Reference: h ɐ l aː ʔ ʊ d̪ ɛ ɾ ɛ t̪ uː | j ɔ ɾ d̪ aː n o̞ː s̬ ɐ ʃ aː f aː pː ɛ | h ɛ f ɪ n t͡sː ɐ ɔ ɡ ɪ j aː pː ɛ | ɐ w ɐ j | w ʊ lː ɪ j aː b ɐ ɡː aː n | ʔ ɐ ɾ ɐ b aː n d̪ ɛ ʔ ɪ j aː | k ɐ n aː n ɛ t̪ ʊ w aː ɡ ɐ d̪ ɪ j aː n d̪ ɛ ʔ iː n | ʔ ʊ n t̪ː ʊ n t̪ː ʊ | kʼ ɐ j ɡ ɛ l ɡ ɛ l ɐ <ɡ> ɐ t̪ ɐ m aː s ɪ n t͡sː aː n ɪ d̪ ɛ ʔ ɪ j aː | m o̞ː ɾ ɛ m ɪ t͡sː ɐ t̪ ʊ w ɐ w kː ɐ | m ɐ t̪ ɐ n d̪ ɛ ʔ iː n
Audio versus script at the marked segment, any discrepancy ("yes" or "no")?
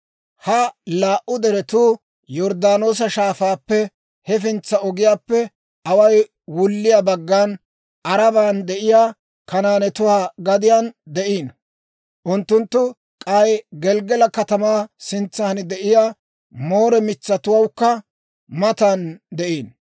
yes